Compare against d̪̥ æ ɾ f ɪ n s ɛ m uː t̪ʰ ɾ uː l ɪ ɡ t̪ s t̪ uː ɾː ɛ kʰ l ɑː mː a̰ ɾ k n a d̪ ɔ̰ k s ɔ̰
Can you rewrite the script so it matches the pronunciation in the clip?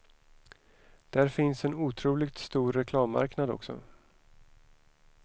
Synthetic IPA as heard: d̪̥ æ ɾ f ɪ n s ɛ n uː t̪ʰ ɾ uː l ɪ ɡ t̪ s t̪ uː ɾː ɛ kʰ l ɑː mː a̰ ɾ k n a d̪ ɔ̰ k s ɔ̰

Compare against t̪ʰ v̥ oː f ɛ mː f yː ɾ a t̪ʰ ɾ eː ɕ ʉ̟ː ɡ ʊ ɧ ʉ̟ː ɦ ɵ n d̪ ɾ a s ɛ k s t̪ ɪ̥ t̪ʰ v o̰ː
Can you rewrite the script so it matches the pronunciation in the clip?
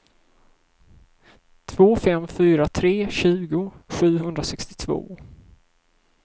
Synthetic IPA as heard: t̪ʰ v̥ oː f ɛ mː f yː ɾ a t̪ʰ ɾ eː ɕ ʉ̟ː ɡ ʊ ɧ ʉ̟ː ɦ ɵ n d̪ ɾ a s ɛ k s t̪ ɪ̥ t̪ʰ v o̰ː

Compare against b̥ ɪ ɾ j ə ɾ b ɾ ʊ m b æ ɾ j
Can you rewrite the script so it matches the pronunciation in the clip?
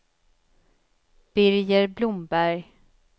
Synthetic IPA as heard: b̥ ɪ ɾ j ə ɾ b l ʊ m b æ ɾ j

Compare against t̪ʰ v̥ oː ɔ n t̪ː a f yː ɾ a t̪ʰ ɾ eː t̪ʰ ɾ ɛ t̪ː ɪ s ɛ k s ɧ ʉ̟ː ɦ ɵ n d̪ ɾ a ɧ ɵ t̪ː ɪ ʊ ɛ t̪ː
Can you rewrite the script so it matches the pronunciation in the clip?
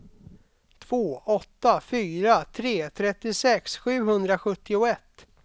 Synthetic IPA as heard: t̪ʰ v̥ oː ɔ t̪ː a f yː ɾ a t̪ʰ ɾ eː t̪ʰ ɾ ɛ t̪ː ɪ s ɛ k s ɧ ʉ̟ː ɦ ɵ n d̪ ɾ a ɧ ɵ t̪ː ɪ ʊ ɛ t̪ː

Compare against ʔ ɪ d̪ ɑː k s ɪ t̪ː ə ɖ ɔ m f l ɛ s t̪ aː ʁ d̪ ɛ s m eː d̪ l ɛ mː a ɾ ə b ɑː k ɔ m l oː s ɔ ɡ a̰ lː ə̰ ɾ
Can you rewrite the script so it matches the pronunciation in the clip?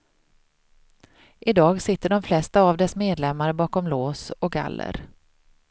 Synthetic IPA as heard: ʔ ɪ d̪ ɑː ɡ s ɪ t̪ː ə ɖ ɔ m f l ɛ s t̪ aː v d̪ ɛ s m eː d̪ l ɛ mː a ɾ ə b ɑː k ɔ m l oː s ɔ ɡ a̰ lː ə̰ ɾ

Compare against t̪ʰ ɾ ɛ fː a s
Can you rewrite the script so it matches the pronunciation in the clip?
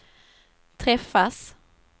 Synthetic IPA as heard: t̪ʰ ɾ ɛ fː a s

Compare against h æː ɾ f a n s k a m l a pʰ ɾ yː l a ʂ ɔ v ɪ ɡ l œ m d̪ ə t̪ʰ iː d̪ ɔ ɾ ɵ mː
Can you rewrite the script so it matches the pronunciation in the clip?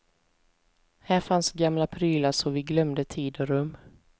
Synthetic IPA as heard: h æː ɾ f a n s ɡ a m l a pʰ ɾ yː l a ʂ ɔ v ɪ ɡ l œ m d̪ ə t̪ʰ iː d̪ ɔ ɾ ɵ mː

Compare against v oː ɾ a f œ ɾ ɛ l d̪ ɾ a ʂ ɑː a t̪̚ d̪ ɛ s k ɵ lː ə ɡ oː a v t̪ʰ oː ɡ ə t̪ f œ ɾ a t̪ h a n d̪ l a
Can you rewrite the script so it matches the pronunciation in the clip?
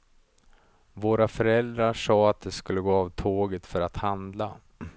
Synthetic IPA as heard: v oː ɾ a f œ ɾ ɛ l d̪ ɾ a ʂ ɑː a t̪̚ d̪ ɛ s k ɵ lː ə ɡ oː a v t̪ʰ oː ɡ ə t̪ f œ ɾ a t̪ h a n d̪ l a

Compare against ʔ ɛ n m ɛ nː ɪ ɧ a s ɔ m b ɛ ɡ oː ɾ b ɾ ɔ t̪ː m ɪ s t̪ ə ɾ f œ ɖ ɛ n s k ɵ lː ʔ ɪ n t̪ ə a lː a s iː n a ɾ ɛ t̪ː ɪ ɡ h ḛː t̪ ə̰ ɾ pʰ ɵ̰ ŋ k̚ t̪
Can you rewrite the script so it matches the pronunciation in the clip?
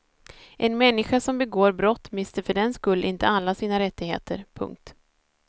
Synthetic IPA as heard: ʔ ɛ n m ɛ nː ɪ ɧ a s ɔ m b ɛ ɡ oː ɾ b ɾ ɔ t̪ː m ɪ s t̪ ə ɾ f œ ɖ ɛ n s k ɵ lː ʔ ɪ n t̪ ə a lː a s iː n a ɾ ɛ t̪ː ɪ ɡ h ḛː t̪ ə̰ ɾ pʰ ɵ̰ ŋ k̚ t̪

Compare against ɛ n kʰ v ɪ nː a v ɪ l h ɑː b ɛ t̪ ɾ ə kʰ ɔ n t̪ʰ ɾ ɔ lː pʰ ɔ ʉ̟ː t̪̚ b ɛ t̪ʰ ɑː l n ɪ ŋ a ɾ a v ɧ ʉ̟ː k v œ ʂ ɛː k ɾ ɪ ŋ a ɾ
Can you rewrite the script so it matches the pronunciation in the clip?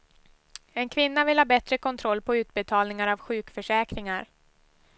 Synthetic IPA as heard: ɛ n kʰ v ɪ nː a v ɪ l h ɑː b ɛ t̪ ɾ ə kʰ ɔ n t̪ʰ ɾ ɔ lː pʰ ɔ ʉ̟ː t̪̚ b ɛ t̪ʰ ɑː l n ɪ ŋ a ɾ a v ɧ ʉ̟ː k f œ ʂ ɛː k ɾ ɪ ŋ a ɾ

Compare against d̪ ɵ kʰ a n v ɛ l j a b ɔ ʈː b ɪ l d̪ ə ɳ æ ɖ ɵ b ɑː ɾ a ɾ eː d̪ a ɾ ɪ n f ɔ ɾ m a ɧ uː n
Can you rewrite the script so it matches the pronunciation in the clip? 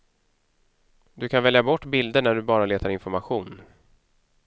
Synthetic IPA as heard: d̪ ɵ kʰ a n v ɛ l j a b ɔ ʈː b ɪ l d̪ ə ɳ æ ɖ ɵ b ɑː ɾ a l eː t̪ a ɾ ɪ n f ɔ ɾ m a ɧ uː n

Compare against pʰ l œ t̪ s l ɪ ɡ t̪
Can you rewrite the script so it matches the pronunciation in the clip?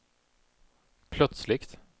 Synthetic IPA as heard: pʰ l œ t̪ s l ɪ k t̪

